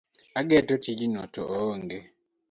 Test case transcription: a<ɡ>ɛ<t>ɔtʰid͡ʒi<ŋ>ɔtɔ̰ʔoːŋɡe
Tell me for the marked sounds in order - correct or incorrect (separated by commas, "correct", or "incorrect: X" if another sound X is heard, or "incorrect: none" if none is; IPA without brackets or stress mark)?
correct, correct, incorrect: n